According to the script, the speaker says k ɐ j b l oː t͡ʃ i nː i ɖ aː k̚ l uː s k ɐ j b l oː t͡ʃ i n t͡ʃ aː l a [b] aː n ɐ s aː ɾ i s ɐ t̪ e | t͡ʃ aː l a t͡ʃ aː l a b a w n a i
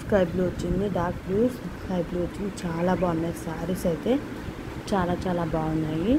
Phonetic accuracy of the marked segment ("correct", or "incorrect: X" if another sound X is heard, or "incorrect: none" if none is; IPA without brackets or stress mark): correct